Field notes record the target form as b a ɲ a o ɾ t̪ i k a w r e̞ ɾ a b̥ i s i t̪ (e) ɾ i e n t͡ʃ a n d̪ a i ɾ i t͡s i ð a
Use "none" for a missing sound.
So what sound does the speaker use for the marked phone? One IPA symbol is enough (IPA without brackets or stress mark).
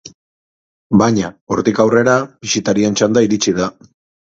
a